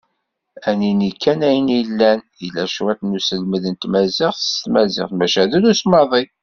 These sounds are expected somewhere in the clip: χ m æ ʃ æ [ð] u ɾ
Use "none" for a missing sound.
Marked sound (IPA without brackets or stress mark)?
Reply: ð